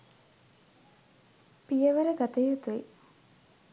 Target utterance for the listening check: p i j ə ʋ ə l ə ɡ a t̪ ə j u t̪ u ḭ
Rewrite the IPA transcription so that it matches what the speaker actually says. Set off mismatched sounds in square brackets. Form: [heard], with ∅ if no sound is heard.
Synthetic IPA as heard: p i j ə ʋ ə [ɾ] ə ɡ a t̪ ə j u t̪ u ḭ